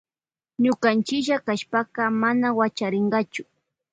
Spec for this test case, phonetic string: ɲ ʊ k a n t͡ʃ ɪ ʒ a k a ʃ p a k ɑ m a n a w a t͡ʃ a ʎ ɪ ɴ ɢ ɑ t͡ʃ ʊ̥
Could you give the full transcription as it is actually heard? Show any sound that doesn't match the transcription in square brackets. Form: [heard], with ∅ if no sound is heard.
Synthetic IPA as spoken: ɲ ʊ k a n t͡ʃ ɪ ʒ a k a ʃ p a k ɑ m a n a w a t͡ʃ a [ɾ] ɪ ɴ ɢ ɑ t͡ʃ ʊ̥